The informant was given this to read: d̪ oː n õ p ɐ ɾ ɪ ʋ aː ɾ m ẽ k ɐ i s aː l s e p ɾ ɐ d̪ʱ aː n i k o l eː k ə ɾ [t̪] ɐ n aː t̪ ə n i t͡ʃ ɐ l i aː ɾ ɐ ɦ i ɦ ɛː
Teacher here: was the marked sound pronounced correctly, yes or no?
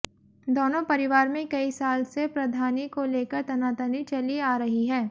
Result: yes